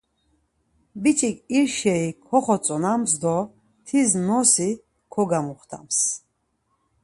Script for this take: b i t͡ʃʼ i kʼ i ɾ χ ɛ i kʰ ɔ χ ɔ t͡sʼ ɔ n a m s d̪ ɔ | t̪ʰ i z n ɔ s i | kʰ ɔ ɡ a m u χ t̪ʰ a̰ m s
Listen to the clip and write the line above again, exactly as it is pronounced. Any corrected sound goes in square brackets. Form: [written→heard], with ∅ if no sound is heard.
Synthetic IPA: b i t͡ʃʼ i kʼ i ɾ [χ→ʃ] ɛ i kʰ ɔ χ ɔ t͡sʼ ɔ n a m s d̪ ɔ | t̪ʰ i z n ɔ s i | kʰ ɔ ɡ a m u χ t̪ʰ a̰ m s